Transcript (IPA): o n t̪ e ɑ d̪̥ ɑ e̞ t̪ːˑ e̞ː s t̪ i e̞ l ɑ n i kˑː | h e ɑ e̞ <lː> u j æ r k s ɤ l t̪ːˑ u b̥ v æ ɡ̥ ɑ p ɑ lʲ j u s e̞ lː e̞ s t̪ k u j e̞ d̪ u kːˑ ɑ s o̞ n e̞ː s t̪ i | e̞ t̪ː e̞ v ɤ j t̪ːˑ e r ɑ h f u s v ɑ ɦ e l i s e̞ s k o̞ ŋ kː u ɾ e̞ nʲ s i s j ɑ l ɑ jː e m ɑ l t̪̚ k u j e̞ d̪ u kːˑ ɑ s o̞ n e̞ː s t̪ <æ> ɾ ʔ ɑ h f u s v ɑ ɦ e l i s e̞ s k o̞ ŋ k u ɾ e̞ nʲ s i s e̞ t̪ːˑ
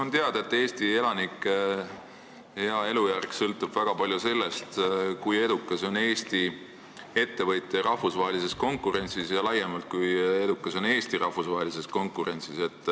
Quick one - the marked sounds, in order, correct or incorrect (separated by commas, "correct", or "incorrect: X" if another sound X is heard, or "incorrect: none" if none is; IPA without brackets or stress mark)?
incorrect: l, incorrect: i